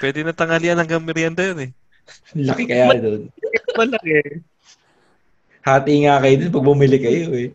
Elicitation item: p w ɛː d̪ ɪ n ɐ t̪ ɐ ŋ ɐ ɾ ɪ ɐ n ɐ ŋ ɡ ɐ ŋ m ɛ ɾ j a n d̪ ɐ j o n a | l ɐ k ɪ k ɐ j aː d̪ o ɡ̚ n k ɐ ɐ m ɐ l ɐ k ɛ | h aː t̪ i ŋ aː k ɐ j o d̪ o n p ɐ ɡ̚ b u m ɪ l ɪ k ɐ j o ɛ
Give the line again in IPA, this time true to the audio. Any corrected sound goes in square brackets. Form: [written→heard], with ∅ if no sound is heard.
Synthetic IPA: p w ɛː d̪ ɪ n ɐ t̪ ɐ ŋ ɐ [ɾ→l] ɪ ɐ n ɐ ŋ ɡ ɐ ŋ m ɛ ɾ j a n d̪ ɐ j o n [a→ɛ] | l ɐ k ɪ k ɐ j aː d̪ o [ɡ̚→∅] n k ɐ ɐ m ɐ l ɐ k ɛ | h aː t̪ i ŋ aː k ɐ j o d̪ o n p ɐ ɡ̚ b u m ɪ l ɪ k ɐ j o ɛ